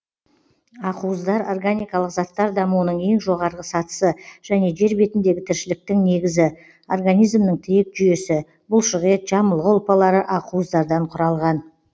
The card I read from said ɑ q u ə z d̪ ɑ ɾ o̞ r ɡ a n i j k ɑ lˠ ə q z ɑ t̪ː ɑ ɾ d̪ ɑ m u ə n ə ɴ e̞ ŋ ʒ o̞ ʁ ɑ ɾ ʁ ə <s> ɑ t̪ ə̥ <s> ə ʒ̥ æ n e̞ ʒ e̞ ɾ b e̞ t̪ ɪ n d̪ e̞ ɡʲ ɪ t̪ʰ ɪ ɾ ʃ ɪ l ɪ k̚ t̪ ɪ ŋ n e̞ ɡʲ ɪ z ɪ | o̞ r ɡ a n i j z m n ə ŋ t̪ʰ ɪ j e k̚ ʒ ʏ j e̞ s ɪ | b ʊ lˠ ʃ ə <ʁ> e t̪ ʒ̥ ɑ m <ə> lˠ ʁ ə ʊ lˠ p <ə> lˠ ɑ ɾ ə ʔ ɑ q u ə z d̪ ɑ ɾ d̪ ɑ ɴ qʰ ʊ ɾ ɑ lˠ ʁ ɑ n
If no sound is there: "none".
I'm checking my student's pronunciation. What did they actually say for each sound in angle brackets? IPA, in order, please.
s, s, ʁ, ə, ɑ

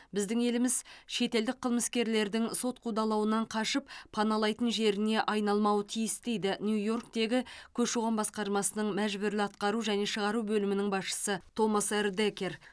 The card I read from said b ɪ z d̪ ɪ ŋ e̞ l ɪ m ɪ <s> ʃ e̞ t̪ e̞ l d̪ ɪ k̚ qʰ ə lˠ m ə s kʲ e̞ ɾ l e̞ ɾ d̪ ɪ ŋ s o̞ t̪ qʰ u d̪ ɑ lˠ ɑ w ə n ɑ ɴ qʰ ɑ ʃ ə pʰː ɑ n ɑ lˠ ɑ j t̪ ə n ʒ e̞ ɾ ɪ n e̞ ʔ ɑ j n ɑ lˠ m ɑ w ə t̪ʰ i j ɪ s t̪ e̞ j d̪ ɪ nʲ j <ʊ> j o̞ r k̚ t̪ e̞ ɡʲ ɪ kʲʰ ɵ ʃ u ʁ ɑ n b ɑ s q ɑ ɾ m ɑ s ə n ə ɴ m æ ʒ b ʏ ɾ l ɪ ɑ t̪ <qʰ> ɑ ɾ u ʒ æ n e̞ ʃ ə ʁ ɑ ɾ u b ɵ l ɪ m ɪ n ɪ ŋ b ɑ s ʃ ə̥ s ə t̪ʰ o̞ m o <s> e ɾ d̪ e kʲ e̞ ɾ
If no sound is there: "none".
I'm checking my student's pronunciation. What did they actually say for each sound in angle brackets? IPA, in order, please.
z, u, q, s

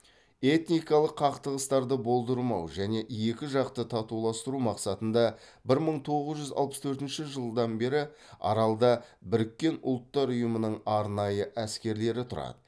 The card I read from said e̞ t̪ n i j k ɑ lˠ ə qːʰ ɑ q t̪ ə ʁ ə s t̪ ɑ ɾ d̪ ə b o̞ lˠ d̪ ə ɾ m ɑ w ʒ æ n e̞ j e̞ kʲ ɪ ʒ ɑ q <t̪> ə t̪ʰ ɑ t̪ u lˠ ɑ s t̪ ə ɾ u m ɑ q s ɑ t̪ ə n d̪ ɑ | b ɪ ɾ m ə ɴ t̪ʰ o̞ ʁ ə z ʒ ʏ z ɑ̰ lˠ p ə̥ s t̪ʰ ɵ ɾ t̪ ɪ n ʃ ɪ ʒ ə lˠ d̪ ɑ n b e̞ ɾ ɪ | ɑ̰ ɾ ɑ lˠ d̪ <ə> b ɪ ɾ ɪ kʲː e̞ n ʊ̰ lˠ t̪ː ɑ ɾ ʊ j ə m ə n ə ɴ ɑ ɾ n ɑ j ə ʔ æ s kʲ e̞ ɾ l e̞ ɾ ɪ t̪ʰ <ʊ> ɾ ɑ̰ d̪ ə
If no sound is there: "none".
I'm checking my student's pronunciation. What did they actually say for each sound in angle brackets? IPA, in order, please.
t̪, ɑ, ʊ

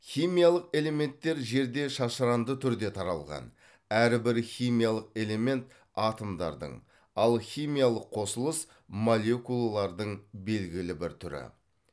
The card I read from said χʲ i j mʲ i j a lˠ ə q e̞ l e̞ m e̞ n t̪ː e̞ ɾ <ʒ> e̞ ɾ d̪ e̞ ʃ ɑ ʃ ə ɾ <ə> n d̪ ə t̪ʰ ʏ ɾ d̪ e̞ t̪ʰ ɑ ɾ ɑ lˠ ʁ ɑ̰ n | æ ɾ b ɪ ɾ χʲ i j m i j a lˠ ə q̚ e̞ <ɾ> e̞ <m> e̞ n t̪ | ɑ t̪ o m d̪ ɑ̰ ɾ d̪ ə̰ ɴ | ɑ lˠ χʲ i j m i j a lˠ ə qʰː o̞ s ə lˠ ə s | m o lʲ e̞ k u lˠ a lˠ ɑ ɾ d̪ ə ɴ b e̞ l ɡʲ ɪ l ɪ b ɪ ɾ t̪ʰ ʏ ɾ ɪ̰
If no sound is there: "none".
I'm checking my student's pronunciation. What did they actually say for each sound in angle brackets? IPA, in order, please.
ʒ, ɑ, l, m

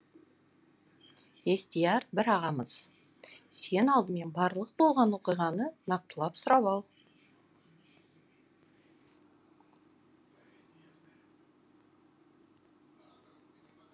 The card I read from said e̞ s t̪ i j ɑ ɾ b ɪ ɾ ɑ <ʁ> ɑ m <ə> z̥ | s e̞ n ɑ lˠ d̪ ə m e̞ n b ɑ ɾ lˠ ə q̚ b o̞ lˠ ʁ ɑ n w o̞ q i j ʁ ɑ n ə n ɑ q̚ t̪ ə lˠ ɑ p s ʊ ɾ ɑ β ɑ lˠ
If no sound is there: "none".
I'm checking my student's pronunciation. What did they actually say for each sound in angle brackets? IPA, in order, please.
ʁ, ə

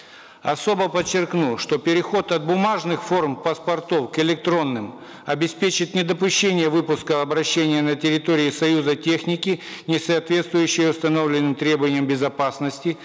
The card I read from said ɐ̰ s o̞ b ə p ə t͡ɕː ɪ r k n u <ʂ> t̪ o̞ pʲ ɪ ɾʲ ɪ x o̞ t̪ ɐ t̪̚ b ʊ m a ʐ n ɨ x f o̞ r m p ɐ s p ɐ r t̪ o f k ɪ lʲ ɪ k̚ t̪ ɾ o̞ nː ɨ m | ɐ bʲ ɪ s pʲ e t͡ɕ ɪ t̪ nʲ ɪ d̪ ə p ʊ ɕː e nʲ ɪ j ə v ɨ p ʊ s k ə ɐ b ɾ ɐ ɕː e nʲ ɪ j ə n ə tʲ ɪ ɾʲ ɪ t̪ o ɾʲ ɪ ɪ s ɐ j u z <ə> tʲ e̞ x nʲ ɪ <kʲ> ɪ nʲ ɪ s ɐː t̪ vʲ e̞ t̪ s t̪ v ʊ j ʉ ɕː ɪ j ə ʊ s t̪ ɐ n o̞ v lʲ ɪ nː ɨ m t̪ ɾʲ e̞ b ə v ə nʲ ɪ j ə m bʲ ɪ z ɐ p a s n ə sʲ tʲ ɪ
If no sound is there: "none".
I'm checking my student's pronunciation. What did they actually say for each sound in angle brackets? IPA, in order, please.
ʂ, ə, kʲ

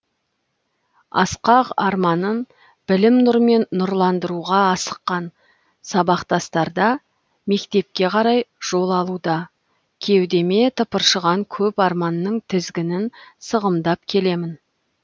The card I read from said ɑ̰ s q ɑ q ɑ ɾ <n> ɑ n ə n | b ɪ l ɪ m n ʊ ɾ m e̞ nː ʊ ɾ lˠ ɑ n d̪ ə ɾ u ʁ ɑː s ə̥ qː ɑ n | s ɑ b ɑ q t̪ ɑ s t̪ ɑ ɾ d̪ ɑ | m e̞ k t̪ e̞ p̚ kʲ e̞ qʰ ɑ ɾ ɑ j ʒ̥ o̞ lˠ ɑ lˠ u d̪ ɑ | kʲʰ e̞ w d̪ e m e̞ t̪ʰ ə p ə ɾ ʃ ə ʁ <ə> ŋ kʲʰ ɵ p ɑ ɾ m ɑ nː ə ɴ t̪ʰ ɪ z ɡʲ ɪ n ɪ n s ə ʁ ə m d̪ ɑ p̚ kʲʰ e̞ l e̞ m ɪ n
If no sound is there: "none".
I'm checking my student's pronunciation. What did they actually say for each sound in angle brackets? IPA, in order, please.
m, ɑ

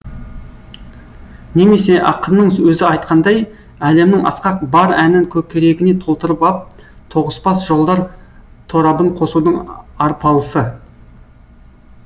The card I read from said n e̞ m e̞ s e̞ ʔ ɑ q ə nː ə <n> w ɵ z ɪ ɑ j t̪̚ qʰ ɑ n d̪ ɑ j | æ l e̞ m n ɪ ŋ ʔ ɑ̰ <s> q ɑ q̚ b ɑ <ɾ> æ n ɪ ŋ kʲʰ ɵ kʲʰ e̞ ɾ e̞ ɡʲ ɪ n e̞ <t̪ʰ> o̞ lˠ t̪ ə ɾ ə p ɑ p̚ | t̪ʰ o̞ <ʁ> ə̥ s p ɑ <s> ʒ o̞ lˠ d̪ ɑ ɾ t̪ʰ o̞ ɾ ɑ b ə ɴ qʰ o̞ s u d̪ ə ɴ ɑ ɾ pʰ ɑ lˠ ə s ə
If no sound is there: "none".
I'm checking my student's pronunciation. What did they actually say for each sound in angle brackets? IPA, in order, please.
ɴ, s, ɾ, t̪ʰ, ʁ, s

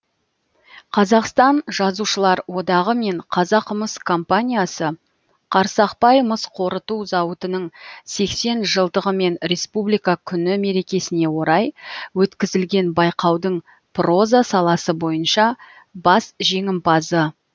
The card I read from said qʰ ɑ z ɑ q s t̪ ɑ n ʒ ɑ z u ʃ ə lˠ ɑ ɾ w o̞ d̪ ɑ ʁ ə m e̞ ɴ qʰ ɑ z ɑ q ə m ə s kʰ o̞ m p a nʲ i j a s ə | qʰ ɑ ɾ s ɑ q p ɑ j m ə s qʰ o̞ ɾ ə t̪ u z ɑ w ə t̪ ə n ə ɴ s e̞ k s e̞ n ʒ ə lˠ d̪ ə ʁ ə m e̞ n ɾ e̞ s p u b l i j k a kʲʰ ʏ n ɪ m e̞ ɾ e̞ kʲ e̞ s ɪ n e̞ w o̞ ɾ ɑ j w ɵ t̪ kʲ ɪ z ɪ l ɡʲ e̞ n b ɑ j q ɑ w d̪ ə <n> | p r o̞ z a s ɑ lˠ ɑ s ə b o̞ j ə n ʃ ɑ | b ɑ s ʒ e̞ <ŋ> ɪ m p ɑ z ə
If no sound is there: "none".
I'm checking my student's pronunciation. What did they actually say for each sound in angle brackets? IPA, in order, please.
ɴ, ŋ

